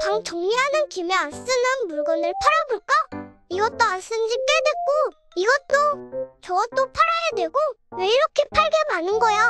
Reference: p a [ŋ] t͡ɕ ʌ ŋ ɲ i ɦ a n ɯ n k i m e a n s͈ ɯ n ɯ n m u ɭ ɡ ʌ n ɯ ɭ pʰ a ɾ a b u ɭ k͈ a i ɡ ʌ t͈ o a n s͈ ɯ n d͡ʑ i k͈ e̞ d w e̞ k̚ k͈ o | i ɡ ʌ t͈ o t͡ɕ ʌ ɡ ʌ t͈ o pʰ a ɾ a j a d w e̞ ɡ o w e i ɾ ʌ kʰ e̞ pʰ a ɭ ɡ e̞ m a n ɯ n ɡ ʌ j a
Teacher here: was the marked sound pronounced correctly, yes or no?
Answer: yes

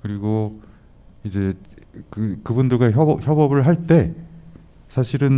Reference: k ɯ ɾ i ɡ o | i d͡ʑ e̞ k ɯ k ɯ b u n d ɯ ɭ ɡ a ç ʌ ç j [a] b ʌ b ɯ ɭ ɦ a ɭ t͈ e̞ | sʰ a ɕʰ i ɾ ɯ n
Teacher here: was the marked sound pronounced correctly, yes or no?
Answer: no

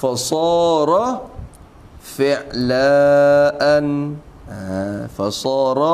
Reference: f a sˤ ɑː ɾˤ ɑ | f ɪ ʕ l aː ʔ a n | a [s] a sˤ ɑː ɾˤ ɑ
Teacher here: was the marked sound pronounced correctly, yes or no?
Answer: no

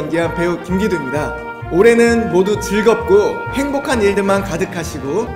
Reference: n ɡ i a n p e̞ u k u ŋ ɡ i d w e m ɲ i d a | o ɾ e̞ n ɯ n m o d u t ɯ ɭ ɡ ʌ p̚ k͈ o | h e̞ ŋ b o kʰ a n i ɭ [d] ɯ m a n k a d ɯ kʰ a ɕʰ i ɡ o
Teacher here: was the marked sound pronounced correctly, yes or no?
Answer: yes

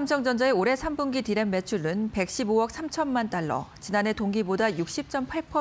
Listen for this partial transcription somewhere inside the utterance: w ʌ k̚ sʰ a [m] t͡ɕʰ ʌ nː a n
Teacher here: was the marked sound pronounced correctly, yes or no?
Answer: yes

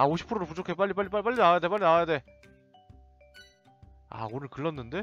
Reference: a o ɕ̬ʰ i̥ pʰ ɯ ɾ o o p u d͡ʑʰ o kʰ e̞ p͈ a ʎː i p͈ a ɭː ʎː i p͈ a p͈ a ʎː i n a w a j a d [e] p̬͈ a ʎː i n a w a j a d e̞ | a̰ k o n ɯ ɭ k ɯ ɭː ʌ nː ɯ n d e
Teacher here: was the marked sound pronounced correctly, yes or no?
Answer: yes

